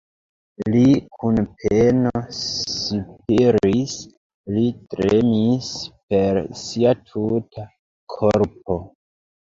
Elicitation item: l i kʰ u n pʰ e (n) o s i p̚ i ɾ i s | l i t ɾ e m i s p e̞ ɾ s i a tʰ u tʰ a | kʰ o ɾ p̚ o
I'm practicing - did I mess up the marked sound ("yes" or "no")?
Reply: no